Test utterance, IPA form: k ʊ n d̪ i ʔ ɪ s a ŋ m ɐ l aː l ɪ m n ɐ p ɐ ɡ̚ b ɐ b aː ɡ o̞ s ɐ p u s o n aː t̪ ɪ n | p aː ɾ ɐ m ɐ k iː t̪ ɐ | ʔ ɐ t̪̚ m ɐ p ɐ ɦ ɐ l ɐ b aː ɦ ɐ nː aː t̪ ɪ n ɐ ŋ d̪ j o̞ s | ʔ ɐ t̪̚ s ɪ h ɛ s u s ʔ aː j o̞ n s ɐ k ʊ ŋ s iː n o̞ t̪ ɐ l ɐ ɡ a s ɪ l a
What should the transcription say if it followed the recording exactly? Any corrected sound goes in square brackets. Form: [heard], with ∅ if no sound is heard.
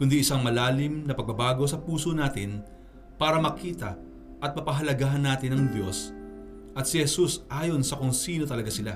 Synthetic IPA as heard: k ʊ n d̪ i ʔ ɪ s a ŋ m ɐ l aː l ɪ m n ɐ p ɐ ɡ̚ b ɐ b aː ɡ o̞ s ɐ p [uː] s o n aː t̪ ɪ n | p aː ɾ ɐ m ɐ k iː t̪ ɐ | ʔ ɐ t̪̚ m ɐ p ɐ ɦ ɐ l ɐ [ɡ] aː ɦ ɐ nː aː t̪ ɪ n ɐ ŋ d̪ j o̞ s | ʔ ɐ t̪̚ s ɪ h ɛ s u s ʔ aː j o̞ n s ɐ k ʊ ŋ s iː n o̞ t̪ ɐ l ɐ ɡ a s ɪ l a